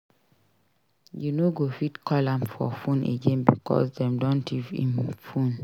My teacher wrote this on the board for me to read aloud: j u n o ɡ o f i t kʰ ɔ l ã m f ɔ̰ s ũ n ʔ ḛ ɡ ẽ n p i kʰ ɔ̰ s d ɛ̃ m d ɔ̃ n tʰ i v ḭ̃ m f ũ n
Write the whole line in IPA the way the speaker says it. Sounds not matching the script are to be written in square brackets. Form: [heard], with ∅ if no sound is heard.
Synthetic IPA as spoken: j u n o ɡ o f i t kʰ ɔ l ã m f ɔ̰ [f] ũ n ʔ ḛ ɡ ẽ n [b] i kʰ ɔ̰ s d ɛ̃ m d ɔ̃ n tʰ i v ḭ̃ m f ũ n

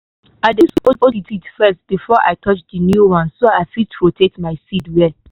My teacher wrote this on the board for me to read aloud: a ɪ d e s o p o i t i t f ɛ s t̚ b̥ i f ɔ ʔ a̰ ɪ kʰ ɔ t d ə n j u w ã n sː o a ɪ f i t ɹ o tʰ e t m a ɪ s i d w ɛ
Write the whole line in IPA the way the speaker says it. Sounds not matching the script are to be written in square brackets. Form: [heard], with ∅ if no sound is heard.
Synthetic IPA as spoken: a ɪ d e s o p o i t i t f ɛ s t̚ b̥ i f ɔ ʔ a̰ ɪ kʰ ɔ [t͡ʃ] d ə n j u w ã n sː o a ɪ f i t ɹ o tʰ e t m a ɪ s i d w ɛ

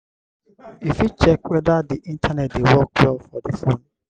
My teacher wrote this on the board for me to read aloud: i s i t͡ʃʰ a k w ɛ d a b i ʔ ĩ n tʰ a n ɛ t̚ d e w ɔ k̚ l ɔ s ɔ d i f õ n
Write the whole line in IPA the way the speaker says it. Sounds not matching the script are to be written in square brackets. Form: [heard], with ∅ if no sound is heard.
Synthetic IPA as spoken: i [f] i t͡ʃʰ [ɛ] k w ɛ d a [d] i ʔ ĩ n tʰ a n ɛ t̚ d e w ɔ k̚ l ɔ [f] ɔ d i f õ n

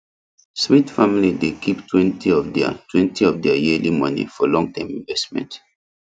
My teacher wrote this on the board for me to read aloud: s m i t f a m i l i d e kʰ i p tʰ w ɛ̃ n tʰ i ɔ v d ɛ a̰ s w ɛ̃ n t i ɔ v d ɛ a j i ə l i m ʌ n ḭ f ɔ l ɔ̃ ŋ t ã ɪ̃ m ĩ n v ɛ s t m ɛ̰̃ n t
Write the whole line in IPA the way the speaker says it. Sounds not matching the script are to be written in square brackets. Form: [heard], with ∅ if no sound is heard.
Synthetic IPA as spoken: s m i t f a m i l i d e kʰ i p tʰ w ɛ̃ n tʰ i ɔ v d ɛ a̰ [t] w ɛ̃ n t i ɔ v d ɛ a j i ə l i m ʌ n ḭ f ɔ l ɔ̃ ŋ t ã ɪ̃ m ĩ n v ɛ s t m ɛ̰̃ n t

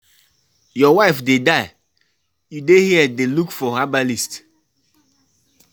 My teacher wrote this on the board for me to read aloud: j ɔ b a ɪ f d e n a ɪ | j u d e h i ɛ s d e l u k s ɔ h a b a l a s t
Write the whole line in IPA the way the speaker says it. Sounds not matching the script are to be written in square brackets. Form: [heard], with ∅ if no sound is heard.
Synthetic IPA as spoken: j ɔ [w] a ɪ f d e [d] a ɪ | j u d e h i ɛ [∅] d e l u k [f] ɔ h a b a l [i] s t

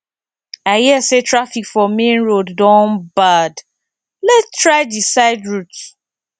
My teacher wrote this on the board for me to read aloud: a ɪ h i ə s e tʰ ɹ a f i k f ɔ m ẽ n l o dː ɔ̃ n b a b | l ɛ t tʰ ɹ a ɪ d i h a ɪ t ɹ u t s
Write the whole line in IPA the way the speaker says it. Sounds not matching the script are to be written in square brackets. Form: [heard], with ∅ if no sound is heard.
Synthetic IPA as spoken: a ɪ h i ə s e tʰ ɹ a f i k f ɔ m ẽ n [ɹ] o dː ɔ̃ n b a [d] | l ɛ t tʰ ɹ a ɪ d i [s] a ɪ [d] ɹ u t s

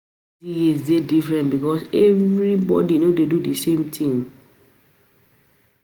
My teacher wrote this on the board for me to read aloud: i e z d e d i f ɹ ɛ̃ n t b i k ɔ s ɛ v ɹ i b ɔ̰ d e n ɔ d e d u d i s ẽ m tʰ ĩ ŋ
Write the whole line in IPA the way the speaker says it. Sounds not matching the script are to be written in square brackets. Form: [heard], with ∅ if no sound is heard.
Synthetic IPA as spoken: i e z d e d i f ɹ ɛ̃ n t b i k ɔ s ɛ v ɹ i b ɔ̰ d [i] n [o] d e d u d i s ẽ m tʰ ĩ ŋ

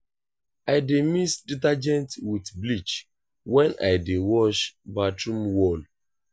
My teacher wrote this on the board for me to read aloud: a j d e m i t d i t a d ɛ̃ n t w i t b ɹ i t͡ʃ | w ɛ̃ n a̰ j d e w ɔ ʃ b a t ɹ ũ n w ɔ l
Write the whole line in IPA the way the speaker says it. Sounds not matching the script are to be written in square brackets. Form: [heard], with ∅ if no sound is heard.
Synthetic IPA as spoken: a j d e m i [s] d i t a [d͡ʒ] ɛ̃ n t w i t b [l] i t͡ʃ | w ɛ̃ n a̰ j d e w ɔ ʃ b a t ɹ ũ [m] w ɔ l

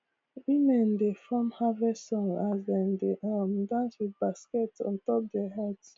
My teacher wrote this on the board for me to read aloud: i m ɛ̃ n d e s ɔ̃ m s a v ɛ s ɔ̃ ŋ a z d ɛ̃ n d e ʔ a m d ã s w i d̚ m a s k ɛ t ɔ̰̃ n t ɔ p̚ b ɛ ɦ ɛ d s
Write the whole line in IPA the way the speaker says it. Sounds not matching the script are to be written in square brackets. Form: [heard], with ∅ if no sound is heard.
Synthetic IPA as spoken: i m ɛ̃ n d e [f] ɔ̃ m [h] a v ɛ s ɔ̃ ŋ a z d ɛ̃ n d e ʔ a m d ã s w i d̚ [b] a s k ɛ t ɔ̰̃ n t ɔ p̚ [d] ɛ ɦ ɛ d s

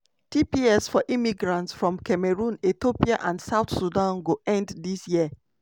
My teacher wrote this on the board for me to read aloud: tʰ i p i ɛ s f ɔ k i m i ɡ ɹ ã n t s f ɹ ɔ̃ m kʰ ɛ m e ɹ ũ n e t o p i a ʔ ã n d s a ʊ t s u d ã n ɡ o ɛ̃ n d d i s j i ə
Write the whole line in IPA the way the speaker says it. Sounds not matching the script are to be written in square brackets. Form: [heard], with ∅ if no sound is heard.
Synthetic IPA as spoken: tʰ i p i ɛ s f ɔ [ʔ] i m i ɡ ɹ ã n t s f ɹ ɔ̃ m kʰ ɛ m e ɹ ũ n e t o p i a ʔ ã n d s a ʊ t s u d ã n ɡ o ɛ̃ n d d i s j i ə

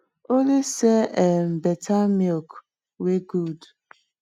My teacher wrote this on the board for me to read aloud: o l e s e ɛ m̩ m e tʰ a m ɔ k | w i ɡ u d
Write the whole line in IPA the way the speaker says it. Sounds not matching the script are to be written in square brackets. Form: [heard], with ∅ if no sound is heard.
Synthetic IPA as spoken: o l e s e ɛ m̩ [b] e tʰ a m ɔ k | w [e] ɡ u d

